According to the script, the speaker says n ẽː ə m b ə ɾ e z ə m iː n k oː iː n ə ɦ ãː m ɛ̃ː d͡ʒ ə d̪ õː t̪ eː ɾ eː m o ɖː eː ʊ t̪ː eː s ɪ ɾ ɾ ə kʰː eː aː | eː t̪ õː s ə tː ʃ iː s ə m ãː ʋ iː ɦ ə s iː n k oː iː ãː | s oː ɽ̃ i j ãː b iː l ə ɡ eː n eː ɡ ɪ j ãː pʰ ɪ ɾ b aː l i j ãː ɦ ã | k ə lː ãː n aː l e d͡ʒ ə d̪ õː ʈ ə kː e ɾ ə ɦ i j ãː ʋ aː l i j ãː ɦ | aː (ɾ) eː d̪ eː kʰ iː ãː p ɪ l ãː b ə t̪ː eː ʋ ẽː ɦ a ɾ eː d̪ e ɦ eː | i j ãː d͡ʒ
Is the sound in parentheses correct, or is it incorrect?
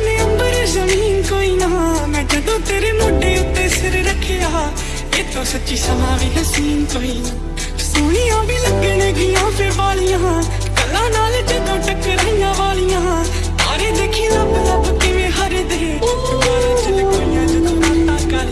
correct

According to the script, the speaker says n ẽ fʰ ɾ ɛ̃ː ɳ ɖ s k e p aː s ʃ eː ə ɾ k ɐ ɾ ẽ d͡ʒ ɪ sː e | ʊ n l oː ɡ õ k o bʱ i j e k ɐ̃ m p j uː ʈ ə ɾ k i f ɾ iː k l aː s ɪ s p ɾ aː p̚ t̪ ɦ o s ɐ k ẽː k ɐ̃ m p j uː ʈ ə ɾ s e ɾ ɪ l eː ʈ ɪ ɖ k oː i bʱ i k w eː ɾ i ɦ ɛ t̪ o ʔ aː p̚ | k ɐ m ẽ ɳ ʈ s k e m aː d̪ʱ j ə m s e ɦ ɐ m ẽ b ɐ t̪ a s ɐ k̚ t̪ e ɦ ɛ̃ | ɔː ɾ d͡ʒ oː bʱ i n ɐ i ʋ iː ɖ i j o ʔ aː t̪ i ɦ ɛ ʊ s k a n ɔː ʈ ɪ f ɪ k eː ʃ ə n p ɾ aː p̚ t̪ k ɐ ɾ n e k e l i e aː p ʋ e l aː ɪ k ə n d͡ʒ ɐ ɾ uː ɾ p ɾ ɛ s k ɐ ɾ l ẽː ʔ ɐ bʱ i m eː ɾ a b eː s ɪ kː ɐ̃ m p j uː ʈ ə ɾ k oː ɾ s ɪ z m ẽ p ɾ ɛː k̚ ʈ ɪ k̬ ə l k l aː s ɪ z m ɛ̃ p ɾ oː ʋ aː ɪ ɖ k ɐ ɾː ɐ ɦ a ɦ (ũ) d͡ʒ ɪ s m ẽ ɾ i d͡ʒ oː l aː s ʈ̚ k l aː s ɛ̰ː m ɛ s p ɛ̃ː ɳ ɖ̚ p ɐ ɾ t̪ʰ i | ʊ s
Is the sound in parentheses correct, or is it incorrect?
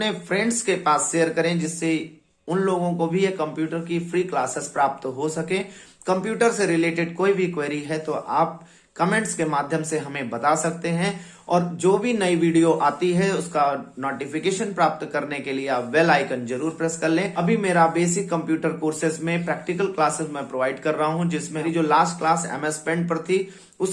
correct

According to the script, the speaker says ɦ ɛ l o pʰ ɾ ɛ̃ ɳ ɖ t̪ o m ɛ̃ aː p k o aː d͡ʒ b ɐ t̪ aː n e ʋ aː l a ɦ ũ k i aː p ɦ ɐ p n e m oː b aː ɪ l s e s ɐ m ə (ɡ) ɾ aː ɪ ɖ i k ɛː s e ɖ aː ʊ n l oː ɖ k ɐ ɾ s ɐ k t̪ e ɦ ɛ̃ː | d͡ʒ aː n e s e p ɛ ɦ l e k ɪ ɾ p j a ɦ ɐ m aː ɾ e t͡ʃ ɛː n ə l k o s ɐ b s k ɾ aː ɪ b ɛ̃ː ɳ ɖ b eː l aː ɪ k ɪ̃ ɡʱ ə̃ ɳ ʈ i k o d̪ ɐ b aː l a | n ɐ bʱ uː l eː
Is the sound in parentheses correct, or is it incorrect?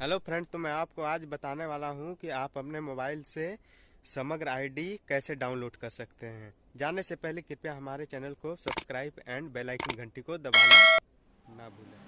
correct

